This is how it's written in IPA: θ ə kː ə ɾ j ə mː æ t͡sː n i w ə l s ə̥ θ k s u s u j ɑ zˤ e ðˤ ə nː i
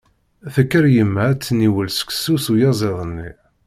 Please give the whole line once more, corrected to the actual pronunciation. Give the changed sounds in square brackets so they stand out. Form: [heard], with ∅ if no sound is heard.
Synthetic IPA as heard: θ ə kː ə ɾ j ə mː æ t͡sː n i w ə l s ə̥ [∅] k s u s u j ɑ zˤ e ðˤ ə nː i